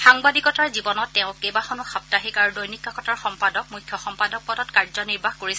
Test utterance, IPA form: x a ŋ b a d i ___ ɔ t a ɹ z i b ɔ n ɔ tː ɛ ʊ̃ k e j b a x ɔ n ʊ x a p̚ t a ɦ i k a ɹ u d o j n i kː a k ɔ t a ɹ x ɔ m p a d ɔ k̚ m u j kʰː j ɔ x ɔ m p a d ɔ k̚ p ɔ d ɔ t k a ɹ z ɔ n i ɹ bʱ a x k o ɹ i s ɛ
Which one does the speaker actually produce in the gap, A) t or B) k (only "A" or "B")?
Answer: B